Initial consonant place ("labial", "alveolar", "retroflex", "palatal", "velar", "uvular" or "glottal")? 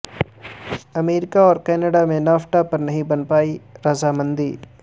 labial